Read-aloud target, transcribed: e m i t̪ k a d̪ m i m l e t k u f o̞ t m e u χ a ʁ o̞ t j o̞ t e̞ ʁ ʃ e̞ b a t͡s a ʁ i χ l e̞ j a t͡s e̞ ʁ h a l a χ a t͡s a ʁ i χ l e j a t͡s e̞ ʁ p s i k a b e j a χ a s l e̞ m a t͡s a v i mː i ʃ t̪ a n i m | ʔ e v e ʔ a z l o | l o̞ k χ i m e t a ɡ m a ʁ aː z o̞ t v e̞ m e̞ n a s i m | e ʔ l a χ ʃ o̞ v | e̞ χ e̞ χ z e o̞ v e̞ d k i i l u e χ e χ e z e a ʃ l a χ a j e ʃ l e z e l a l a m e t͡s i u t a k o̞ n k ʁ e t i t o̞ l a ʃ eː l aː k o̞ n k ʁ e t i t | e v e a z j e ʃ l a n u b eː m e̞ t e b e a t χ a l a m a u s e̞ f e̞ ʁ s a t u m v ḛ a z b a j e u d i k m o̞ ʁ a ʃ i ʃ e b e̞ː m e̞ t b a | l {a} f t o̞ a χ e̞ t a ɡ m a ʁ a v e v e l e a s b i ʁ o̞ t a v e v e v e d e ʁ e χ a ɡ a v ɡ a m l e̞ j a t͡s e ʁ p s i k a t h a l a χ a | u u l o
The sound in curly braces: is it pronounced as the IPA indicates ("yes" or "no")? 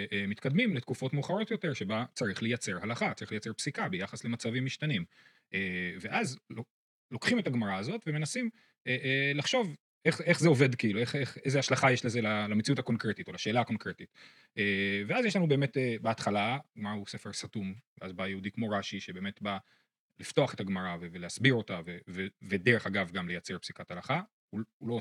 no